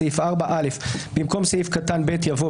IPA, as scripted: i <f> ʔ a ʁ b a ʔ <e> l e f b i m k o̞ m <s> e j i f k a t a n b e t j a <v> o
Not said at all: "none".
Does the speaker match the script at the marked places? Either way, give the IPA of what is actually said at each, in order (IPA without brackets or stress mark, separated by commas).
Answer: f, a, s, v